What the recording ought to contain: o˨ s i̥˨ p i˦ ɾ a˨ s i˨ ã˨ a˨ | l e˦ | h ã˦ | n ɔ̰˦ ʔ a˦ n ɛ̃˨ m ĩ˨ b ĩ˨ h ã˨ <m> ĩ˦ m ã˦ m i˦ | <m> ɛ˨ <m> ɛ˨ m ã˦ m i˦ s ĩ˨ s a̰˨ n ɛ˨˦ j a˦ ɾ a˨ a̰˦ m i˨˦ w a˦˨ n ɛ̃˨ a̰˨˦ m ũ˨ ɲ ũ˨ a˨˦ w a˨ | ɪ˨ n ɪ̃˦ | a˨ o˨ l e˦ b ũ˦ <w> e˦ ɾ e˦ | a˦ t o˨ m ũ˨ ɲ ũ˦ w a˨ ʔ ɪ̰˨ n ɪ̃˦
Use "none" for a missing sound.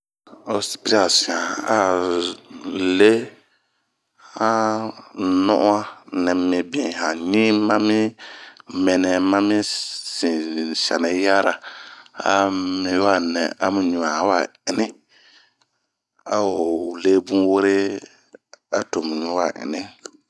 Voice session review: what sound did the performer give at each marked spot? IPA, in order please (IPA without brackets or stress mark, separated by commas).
ɲ, m, n, w